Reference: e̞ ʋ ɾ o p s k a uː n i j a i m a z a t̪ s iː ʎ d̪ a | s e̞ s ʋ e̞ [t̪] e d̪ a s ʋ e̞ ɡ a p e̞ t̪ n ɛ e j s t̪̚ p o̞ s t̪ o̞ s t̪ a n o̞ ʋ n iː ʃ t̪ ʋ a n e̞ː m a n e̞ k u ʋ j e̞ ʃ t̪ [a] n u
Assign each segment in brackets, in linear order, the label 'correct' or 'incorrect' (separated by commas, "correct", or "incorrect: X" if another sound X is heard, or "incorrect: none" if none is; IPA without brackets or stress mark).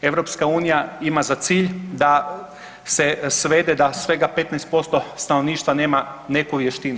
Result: incorrect: d̪, incorrect: i